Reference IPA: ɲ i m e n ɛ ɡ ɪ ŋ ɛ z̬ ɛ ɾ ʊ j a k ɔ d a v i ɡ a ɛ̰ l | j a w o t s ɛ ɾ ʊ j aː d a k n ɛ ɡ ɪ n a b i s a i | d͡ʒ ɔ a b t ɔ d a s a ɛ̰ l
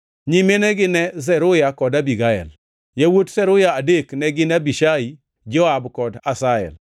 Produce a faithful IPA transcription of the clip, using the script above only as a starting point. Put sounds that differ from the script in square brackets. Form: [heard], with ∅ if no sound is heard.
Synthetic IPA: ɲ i m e n ɛ ɡ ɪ [n] ɛ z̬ ɛ ɾ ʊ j a k ɔ d a [b] i ɡ a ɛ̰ l | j a w o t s ɛ ɾ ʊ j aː d [e] k n ɛ ɡ ɪ n a b i [ʃ] a i | d͡ʒ ɔ a b [k] ɔ d a s a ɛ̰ l